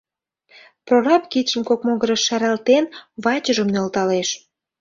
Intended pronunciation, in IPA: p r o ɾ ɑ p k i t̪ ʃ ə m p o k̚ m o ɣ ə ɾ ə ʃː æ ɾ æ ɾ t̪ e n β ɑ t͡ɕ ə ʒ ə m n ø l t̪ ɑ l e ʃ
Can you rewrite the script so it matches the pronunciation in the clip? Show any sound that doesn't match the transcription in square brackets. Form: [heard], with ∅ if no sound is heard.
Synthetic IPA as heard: p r o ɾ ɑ p k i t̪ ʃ ə m [k] o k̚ m o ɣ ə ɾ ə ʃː æ ɾ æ [l] t̪ e n β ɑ t͡ɕ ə ʒ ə m n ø l t̪ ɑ l e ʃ

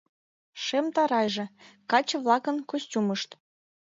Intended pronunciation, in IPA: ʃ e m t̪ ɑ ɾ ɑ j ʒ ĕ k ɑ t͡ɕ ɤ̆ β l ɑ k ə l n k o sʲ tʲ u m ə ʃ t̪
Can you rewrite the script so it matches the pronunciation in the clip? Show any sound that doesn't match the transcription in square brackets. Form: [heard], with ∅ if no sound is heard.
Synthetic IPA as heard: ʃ e m t̪ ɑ ɾ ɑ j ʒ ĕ k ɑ t͡ɕ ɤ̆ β l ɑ k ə [∅] n k o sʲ tʲ u m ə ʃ t̪

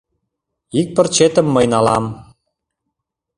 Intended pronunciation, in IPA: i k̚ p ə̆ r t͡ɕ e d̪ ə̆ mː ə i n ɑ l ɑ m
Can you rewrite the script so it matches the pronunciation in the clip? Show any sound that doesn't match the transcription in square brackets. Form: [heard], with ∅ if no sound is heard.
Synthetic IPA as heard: i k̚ p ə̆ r t͡ɕ e [t̪] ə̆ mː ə [j] n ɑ l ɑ m

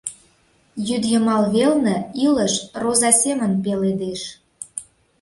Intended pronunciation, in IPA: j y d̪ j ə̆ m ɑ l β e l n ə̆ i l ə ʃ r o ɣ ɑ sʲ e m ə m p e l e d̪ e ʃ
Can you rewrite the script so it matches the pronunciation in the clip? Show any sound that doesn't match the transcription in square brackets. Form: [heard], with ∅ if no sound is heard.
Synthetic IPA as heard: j y d̪ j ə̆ m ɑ l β e l n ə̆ i l ə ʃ r o [z] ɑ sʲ e m ə [n] p e l e d̪ e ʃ

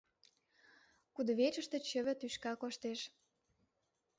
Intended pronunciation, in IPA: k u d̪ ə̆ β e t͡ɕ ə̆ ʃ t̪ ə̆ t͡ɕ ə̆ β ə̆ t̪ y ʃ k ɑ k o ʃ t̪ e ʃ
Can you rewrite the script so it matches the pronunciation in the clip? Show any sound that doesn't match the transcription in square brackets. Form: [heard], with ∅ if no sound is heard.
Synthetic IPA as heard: k u d̪ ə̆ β e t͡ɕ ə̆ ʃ t̪ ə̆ t͡ɕ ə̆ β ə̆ t̪ y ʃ k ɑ k o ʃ t̪ e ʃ

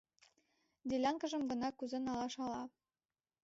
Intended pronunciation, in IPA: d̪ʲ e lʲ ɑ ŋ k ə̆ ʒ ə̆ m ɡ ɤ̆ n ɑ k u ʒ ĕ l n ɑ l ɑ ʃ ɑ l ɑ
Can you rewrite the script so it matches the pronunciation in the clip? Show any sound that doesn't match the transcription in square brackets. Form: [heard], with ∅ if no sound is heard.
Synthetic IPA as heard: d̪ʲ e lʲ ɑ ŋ k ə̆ ʒ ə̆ m ɡ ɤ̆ n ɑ k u [z] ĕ [∅] n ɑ l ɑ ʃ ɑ l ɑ

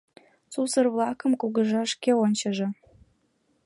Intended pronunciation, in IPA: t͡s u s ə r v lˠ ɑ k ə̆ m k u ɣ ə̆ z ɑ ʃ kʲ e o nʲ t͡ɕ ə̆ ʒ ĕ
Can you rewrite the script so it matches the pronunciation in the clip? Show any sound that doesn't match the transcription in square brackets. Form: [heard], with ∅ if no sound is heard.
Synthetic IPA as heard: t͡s u s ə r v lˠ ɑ k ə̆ m k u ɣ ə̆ [ʒ] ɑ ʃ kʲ e o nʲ t͡ɕ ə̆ ʒ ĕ

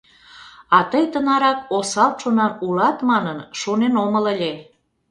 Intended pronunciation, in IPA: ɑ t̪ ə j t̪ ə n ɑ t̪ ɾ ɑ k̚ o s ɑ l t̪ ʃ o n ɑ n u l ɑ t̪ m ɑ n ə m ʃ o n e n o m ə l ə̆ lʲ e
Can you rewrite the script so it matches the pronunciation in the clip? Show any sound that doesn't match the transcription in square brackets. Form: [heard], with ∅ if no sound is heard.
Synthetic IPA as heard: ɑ t̪ ə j t̪ ə n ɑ [∅] ɾ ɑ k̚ o s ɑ l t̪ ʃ o n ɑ n u l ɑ t̪ m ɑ n ə [n] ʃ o n e n o m ə l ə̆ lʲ e

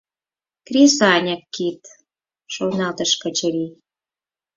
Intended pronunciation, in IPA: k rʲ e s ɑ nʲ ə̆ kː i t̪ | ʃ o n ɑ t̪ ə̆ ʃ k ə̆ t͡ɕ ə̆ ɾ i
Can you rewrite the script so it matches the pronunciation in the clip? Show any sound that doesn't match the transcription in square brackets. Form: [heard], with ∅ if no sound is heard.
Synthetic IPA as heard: k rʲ e s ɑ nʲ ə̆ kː i t̪ | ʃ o n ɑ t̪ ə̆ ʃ k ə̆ t͡ɕ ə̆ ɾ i

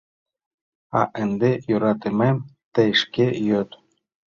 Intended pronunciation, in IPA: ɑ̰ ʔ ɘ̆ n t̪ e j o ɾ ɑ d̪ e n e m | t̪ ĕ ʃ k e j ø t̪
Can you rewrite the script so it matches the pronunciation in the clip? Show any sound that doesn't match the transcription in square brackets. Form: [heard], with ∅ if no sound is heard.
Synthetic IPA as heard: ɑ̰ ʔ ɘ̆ n [d̪] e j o ɾ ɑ [t̪] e [m] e m | t̪ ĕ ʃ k e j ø t̪

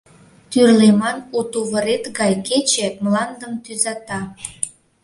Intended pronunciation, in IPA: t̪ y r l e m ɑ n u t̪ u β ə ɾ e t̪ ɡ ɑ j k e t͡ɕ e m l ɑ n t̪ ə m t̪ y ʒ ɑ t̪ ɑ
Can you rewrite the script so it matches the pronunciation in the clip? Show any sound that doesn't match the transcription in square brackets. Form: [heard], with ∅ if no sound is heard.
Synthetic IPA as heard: t̪ y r l e m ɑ n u t̪ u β ə ɾ e t̪ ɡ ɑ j k e t͡ɕ e m l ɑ n [d̪] ə m t̪ y [z] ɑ t̪ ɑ

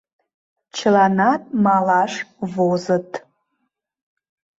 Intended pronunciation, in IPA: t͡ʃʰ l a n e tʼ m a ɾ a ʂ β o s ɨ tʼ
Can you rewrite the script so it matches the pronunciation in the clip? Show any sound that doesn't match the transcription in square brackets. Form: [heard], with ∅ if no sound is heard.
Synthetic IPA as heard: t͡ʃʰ l a n [a] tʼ m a [l] a ʂ [v] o [z] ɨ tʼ

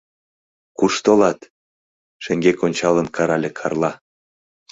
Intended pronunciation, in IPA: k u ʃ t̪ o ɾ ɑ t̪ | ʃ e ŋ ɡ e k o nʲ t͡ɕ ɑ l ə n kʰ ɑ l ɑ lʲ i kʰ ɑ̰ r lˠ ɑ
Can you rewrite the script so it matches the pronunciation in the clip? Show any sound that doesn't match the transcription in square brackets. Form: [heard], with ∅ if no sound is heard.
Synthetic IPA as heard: k u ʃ t̪ o [l] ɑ t̪ | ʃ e ŋ ɡ e k o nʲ t͡ɕ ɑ l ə n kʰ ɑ [ɾ] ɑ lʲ [e] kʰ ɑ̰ r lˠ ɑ

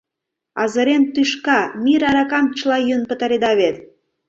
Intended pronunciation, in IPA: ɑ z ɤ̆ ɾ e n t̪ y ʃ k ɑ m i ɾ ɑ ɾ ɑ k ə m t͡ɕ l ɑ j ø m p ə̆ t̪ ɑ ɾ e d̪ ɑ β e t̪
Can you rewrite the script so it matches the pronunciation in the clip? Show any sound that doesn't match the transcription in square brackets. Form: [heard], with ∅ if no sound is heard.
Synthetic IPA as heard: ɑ z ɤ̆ ɾ e n t̪ y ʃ k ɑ m i ɾ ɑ ɾ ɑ k [ɑ] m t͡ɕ l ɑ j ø [n] p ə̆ t̪ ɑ ɾ e d̪ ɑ β e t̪

